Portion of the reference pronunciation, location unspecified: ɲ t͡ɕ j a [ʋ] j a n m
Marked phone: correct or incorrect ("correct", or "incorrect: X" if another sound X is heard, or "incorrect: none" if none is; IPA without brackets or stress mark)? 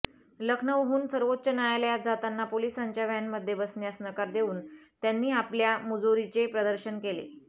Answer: correct